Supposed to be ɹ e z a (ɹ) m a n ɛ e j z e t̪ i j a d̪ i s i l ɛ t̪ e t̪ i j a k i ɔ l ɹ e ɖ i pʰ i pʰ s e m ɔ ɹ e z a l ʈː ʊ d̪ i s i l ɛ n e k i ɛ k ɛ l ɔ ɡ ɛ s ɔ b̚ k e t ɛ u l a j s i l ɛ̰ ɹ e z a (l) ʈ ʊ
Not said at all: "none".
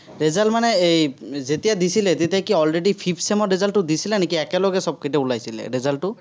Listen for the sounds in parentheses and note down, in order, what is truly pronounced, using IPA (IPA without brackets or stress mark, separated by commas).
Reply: l, l